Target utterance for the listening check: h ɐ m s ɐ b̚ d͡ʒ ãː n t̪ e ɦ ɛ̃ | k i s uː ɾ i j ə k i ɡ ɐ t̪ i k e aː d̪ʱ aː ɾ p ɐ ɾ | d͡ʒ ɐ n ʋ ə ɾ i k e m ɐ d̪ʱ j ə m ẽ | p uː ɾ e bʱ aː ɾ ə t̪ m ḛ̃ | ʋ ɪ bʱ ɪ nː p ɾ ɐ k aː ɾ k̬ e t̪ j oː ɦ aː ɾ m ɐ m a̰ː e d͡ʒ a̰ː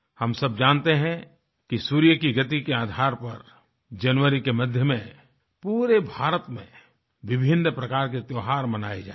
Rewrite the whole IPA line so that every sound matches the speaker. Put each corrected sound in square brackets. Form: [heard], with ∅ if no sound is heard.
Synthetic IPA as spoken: h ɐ m s ɐ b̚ d͡ʒ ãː n t̪ e ɦ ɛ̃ | k i s uː ɾ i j ə k i ɡ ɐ t̪ i k e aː d̪ʱ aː ɾ p ɐ ɾ | d͡ʒ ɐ n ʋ ə ɾ i k e m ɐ d̪ʱ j ə m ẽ | p uː ɾ e bʱ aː ɾ ə t̪ m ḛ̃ | ʋ ɪ bʱ ɪ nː p ɾ ɐ k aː ɾ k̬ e t̪ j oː ɦ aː ɾ m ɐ [n] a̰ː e d͡ʒ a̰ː